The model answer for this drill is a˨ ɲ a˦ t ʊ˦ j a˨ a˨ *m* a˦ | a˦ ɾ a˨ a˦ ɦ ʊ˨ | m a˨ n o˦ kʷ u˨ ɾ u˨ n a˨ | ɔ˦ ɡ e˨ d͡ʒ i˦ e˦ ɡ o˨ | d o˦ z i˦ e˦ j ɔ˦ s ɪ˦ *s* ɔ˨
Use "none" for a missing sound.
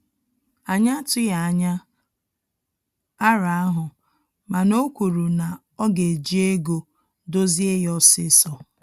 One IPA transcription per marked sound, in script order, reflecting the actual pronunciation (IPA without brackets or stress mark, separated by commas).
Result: ɲ, s